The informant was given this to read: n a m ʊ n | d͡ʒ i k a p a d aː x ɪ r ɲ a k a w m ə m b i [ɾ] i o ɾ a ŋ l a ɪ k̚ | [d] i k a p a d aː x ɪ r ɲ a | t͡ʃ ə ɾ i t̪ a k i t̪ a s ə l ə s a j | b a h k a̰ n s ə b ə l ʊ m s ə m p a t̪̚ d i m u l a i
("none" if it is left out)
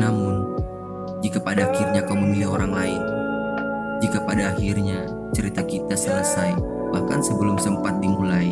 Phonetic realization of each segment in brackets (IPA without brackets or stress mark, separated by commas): l, d͡ʒ